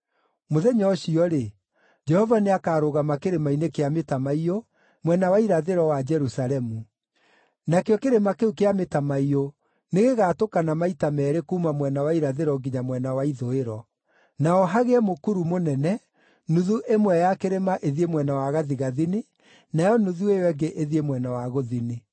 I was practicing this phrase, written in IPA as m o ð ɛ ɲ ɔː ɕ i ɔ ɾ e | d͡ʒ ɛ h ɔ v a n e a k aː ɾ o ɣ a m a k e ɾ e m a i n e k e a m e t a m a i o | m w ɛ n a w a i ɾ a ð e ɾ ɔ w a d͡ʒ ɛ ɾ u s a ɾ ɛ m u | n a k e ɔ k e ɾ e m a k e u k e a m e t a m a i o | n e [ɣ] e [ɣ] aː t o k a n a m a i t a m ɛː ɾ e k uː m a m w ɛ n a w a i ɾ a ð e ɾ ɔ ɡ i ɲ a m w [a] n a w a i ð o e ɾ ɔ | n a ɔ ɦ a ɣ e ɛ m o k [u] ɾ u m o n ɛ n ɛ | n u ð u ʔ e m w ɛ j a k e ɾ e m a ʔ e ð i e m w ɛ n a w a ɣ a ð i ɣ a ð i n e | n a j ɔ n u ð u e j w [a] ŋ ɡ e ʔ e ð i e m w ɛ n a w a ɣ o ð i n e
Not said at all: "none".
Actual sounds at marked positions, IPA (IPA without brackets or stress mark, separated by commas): ɣ, ɣ, ɛ, u, ɛ